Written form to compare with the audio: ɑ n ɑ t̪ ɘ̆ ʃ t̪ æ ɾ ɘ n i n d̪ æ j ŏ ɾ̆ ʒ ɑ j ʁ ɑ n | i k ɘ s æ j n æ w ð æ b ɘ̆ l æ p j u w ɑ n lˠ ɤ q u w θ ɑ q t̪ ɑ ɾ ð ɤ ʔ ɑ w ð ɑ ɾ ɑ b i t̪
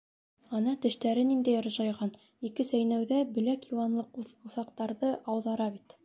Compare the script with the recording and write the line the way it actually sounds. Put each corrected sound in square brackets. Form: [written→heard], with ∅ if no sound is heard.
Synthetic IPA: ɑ n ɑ t̪ ɘ̆ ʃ t̪ æ ɾ ɘ n i n d̪ æ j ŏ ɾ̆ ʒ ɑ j ʁ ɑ n | i k ɘ s æ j n æ w ð æ b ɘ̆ l æ [p→k] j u w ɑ n lˠ ɤ q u [w→u] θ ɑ q t̪ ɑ ɾ ð ɤ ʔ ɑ w ð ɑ ɾ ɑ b i t̪

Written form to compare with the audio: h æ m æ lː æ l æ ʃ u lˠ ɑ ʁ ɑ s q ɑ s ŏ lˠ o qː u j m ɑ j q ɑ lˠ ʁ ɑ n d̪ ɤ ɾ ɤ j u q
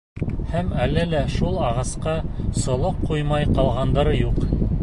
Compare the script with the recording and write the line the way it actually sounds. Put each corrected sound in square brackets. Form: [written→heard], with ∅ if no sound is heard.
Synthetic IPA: h æ m æ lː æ l æ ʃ u lˠ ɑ ʁ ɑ s q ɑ s ŏ lˠ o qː u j m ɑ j q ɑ lˠ ʁ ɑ n d̪ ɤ ɾ ɤ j u q

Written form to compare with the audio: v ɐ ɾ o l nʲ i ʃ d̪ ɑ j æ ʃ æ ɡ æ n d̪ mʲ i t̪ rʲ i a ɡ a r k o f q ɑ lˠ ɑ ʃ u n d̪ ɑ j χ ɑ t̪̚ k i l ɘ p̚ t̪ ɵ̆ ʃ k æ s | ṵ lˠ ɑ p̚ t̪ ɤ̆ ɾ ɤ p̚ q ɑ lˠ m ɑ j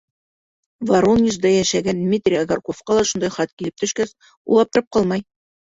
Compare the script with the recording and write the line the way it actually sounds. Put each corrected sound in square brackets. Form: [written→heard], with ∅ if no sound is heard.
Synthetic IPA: v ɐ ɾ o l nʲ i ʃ d̪ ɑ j æ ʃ æ ɡ æ n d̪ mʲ i t̪ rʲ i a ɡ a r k o f q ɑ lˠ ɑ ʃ u n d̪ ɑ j χ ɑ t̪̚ k i l ɘ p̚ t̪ ɵ̆ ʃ k æ s | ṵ lˠ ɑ p̚ t̪ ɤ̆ ɾ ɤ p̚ q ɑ lˠ m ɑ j

